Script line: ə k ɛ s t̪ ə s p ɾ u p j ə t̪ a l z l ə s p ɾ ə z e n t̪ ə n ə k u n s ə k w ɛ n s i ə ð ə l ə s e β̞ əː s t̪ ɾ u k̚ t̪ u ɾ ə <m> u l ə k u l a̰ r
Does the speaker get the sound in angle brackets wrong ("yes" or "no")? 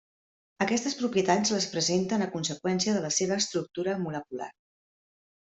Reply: no